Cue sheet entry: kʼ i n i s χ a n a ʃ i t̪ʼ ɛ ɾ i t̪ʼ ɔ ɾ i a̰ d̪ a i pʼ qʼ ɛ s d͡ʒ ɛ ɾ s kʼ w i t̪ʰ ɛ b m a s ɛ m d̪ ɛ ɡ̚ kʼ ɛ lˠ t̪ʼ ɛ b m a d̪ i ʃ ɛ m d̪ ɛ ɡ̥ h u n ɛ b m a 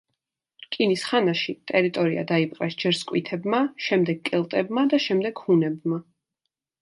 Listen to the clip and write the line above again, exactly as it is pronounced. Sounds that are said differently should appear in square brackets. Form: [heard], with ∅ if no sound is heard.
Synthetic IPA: kʼ i n i s χ a n a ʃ i t̪ʼ ɛ ɾ i t̪ʼ ɔ ɾ i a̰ d̪ a i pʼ qʼ ɛ s d͡ʒ ɛ ɾ s kʼ w i t̪ʰ ɛ b m a [ʃ] ɛ m d̪ ɛ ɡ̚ kʼ ɛ lˠ t̪ʼ ɛ b m a d̪ [a] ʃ ɛ m d̪ ɛ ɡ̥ h u n ɛ b m a